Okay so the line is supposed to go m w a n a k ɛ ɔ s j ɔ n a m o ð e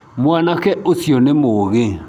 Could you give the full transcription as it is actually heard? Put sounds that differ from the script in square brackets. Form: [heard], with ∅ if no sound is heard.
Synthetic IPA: m w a n a k ɛ [o] s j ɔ n [e] m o [ɣ] e

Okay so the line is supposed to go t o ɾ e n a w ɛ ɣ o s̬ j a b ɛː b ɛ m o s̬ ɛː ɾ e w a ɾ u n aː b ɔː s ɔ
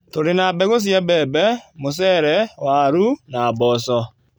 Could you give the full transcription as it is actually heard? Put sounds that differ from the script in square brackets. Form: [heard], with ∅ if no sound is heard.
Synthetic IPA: t o ɾ e n a [b] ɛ ɣ o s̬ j a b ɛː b ɛ m o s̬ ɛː ɾ [ɛ] w a ɾ u n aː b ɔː s ɔ

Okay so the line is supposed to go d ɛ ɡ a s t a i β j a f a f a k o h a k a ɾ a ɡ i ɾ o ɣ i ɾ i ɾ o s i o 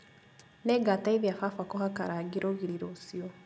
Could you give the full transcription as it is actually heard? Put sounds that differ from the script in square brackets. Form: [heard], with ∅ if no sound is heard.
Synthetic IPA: [n] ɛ ɡ a [∅] t a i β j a f a f a k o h a k a ɾ a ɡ i ɾ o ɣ i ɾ i ɾ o s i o

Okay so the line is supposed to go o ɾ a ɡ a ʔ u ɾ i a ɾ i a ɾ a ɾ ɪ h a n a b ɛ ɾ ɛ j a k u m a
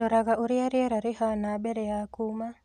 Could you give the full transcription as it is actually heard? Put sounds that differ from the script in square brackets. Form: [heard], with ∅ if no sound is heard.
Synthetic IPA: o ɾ a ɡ a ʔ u ɾ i a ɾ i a ɾ a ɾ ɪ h a n a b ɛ ɾ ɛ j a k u m a

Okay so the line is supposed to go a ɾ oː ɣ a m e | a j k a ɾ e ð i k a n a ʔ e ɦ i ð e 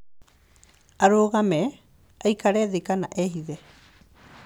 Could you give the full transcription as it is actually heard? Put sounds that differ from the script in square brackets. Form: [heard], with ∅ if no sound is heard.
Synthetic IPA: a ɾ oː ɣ a m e | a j k a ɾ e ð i k a n a ʔ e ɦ i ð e

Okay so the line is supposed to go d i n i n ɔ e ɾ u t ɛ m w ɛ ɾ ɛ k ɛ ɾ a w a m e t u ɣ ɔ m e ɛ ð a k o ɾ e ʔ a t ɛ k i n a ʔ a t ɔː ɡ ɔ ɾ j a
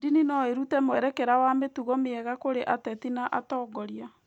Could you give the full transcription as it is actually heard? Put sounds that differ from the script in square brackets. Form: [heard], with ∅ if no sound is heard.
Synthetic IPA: d i n i n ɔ e ɾ u t ɛ m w ɛ ɾ ɛ k ɛ ɾ a w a m e t u ɣ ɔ m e ɛ [ɣ] a k o ɾ e ʔ a t ɛ [t] i n a ʔ a t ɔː ɡ ɔ ɾ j a

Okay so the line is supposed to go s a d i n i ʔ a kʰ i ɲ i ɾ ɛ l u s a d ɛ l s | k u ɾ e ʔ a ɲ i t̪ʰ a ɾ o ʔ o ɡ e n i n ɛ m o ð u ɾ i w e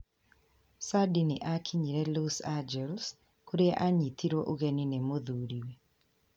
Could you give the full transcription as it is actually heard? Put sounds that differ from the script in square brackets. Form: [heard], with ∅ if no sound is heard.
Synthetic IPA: s a d i n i ʔ a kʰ i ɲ i ɾ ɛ l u s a [d͡ʒ] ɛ l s | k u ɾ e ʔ a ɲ i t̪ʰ [i] ɾ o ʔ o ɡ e n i n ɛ m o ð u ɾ i w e

